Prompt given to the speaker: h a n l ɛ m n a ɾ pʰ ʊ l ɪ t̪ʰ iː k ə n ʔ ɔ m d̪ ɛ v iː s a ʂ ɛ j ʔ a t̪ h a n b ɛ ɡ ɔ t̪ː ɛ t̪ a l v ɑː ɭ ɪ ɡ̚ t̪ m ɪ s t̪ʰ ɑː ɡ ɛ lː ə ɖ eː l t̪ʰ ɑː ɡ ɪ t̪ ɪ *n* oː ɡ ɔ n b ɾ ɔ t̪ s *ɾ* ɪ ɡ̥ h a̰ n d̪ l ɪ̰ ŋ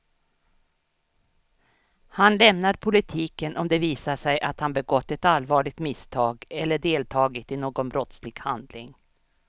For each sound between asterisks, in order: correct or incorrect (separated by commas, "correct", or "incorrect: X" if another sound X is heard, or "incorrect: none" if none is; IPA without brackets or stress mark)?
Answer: correct, incorrect: l